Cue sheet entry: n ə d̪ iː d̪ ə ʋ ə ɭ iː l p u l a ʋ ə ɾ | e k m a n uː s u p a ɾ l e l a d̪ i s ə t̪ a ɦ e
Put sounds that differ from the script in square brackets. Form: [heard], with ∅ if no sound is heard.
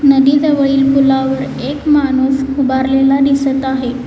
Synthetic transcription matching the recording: n ə d̪ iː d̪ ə ʋ ə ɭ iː l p u l a ʋ ə ɾ | e k m a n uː s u [b] a ɾ l e l a d̪ i s ə t̪ a ɦ e